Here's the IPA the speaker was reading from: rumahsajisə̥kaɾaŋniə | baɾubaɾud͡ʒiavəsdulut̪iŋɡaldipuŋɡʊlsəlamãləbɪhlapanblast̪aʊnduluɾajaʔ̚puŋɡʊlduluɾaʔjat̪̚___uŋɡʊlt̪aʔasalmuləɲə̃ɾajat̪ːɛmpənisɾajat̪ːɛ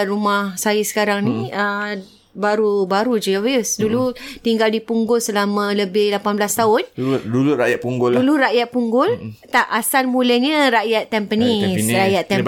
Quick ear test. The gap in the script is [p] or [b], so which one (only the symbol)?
p